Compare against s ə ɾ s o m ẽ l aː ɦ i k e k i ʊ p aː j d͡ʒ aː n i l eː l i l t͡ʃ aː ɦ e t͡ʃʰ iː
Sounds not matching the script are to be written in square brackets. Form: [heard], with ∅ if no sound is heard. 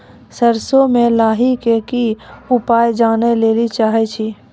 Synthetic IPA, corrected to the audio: s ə ɾ s o m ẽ l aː ɦ i k e k i ʊ p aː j d͡ʒ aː n [e] l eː l i [∅] t͡ʃ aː ɦ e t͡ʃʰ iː